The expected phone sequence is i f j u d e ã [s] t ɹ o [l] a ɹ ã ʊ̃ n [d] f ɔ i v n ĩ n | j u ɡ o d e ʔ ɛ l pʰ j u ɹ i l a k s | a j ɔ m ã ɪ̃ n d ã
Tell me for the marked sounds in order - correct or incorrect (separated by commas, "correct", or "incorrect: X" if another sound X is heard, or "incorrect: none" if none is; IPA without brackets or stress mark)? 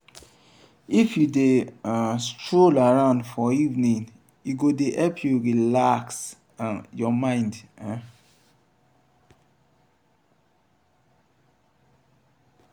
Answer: correct, correct, correct